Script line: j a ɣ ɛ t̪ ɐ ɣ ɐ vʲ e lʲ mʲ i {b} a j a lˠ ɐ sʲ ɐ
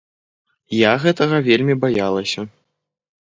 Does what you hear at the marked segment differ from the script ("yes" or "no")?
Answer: no